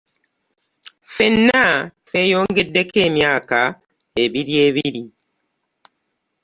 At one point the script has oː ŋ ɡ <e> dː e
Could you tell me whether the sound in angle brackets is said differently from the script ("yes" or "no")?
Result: no